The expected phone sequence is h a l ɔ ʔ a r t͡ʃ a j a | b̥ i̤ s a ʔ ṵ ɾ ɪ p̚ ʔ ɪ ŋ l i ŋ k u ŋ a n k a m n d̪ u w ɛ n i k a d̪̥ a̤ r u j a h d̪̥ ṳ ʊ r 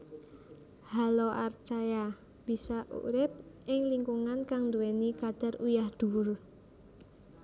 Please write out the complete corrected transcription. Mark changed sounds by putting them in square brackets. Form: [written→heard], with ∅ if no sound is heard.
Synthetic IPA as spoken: h a l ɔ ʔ a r t͡ʃ a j a | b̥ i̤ s a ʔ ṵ ɾ ɪ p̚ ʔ ɪ ŋ l i ŋ k u ŋ a n k a [m→ŋ] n d̪ u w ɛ n i k a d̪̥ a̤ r u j a h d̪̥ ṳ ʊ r